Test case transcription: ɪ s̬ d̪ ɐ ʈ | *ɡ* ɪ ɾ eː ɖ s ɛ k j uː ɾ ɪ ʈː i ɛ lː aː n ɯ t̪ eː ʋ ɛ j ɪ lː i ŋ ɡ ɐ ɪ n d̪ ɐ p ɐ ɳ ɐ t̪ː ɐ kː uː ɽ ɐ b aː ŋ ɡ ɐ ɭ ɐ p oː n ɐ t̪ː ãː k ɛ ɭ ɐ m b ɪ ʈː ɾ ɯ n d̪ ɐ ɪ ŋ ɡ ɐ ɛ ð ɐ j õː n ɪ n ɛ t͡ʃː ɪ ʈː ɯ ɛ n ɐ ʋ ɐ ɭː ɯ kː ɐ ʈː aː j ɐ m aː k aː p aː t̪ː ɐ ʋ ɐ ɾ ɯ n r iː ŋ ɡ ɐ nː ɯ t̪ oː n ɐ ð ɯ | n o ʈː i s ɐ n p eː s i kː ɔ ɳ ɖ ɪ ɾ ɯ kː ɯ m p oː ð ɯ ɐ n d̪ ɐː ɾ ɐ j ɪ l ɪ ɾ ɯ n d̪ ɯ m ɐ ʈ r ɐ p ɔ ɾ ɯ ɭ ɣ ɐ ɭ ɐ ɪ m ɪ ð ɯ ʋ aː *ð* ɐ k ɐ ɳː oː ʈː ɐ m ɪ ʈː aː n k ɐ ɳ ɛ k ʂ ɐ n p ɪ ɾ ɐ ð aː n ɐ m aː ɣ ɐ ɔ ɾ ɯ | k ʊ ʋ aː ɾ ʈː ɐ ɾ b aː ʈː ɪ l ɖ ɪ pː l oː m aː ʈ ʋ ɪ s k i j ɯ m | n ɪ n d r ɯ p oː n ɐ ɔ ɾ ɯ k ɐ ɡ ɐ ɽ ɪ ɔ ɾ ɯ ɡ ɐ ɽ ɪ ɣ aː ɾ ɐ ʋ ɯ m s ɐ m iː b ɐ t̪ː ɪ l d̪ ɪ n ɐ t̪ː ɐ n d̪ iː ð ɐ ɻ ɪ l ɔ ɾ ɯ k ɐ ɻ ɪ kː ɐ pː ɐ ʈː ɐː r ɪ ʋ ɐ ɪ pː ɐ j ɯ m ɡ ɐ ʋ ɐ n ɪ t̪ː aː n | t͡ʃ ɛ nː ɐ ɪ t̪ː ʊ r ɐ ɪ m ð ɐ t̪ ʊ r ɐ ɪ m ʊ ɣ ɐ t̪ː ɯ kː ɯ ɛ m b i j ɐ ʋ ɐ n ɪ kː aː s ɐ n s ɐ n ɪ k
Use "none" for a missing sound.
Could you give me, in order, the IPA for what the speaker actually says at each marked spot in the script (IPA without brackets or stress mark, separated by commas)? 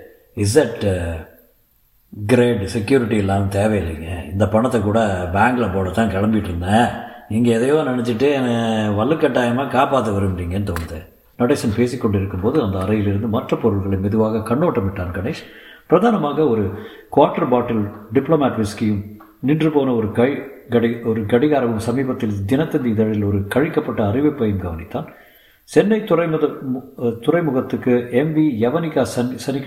ɡ, ɣ